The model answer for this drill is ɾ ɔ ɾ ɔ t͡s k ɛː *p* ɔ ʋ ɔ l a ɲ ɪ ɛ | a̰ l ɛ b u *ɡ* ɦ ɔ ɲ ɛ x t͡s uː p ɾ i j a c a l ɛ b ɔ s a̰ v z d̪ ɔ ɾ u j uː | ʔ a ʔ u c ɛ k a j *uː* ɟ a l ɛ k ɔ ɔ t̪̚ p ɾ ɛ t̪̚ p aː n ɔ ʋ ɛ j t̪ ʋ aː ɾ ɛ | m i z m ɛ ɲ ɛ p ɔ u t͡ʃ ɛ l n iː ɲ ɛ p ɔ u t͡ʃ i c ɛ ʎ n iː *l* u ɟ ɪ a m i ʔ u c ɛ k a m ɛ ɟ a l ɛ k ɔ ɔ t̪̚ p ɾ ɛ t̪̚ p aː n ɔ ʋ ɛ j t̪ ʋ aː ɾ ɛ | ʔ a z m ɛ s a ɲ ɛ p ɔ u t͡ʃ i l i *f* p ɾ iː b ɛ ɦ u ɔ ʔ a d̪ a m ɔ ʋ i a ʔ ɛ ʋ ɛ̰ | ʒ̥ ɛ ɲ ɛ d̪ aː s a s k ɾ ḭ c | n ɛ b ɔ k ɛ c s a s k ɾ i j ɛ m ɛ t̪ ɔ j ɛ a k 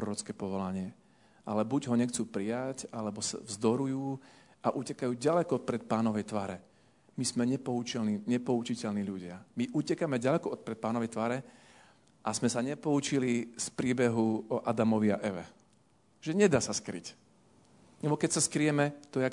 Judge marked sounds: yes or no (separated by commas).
yes, no, yes, no, no